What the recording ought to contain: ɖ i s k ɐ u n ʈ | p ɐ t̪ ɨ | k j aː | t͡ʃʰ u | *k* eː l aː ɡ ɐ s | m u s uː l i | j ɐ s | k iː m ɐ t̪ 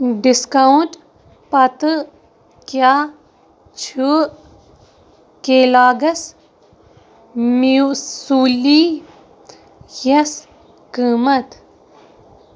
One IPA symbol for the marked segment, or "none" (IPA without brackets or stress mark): k